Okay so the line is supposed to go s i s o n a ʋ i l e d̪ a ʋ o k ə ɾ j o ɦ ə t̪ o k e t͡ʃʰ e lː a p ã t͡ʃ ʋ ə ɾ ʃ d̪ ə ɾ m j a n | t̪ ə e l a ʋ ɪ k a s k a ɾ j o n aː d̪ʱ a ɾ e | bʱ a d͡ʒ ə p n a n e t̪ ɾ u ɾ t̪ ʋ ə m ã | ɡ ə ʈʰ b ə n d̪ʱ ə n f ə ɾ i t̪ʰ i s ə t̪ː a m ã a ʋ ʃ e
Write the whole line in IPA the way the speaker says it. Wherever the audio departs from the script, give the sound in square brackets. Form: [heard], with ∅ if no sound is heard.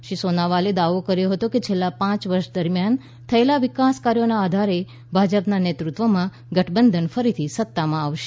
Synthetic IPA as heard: [ʃ] i s o n a ʋ [a] l e d̪ a ʋ o k ə ɾ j o ɦ ə t̪ o k e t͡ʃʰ e lː a p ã t͡ʃ ʋ ə ɾ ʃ d̪ ə ɾ m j a n | [t̪ʰ] ə e l a ʋ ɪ k a s k a ɾ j o n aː d̪ʱ a ɾ e | bʱ a d͡ʒ ə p n a n e t̪ ɾ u [∅] t̪ ʋ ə m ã | ɡ ə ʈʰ b ə n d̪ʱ ə n f ə ɾ i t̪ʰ i s ə t̪ː a m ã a ʋ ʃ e